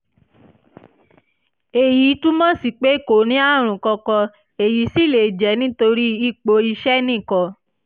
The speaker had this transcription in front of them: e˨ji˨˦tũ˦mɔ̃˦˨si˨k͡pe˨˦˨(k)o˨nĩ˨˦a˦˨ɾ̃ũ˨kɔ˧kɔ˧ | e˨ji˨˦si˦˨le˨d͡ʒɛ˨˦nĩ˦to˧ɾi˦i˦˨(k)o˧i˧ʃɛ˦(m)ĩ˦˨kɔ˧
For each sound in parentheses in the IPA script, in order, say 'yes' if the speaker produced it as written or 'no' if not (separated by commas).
yes, no, no